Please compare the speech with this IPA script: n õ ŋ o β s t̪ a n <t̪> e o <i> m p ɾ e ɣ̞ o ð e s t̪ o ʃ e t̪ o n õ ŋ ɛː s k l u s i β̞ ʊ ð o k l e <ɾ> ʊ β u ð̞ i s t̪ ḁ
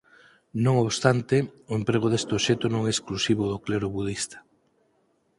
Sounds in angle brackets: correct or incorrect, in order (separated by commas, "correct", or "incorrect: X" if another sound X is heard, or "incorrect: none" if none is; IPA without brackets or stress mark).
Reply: correct, incorrect: e, correct